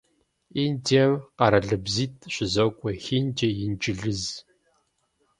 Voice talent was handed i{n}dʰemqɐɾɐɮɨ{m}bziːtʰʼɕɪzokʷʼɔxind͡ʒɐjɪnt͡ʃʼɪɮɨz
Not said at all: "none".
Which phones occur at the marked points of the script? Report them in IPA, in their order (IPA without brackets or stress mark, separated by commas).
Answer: n, none